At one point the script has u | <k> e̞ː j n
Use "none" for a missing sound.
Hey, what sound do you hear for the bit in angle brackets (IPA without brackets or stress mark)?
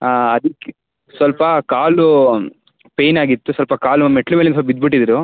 p